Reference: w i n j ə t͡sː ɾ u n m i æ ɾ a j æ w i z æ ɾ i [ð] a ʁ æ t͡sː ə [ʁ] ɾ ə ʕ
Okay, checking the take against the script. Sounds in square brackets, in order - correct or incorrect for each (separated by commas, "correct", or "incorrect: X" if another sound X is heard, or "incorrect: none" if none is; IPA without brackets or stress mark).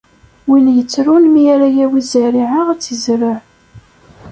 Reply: incorrect: ʕ, incorrect: z